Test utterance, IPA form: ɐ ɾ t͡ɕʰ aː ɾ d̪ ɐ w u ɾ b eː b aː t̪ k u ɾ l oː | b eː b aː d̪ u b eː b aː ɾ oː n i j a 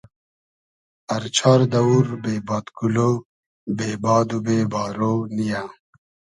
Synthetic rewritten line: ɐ ɾ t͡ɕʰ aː ɾ d̪ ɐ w u ɾ b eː b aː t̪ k u l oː | b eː b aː d̪ u b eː b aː ɾ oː n i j a